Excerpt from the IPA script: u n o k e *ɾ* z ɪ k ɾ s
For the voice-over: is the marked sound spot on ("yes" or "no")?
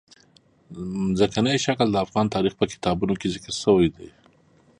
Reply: no